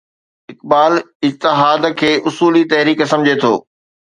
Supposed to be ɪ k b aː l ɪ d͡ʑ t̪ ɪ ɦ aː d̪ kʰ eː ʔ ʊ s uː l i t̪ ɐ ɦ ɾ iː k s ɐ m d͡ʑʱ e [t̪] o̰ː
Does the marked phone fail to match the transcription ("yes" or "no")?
yes